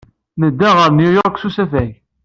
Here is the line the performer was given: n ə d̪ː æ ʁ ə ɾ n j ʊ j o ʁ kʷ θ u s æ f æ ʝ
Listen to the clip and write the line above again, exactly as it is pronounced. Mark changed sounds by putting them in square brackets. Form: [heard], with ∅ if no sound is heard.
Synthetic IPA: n ə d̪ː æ ʁ ə ɾ n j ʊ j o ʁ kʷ [s] u s æ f æ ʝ

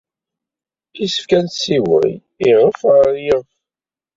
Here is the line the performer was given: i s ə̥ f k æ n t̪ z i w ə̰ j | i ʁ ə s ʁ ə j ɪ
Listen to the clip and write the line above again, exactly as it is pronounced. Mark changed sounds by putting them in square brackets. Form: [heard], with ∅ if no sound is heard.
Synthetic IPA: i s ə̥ f k æ n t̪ [s] i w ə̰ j | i ʁ ə [f] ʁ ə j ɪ

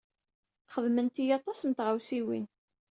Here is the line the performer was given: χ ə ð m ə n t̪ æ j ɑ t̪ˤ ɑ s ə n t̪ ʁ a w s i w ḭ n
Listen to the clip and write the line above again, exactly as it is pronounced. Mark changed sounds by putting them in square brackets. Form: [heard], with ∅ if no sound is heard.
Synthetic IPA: χ ə ð m ə n t̪ [i] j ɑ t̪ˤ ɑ s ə n t̪ ʁ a w s i w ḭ n

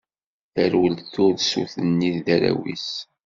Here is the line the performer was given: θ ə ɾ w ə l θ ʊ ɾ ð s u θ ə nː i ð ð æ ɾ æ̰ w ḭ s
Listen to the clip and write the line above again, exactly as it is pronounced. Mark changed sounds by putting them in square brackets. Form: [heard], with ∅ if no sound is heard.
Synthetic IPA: θ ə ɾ w ə l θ ʊ ɾ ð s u θ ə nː i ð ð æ ɾ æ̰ w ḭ s

